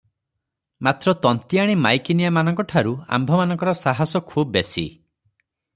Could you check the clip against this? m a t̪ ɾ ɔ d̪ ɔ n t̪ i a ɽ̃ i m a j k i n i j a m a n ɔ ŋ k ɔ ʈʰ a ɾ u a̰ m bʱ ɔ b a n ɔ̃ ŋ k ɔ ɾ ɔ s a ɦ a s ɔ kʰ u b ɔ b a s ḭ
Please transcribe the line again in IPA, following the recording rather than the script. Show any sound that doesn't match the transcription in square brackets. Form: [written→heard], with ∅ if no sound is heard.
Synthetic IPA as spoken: m a t̪ ɾ ɔ [d̪→t̪] ɔ n t̪ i a ɽ̃ i m a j k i n i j a m a n ɔ ŋ k ɔ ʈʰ a ɾ u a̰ m bʱ ɔ [b→m] a n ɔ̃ ŋ k ɔ ɾ ɔ s a ɦ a s ɔ kʰ u b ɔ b [a→e] s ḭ